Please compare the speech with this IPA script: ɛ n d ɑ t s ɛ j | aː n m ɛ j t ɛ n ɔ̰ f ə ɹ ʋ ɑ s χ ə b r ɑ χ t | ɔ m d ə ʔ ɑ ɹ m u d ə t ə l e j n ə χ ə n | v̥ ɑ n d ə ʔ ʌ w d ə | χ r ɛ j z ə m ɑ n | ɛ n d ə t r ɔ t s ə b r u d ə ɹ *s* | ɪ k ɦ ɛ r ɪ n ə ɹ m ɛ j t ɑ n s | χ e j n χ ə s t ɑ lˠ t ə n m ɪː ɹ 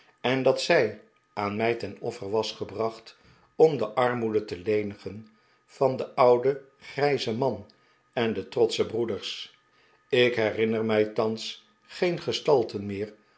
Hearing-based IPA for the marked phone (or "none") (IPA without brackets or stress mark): s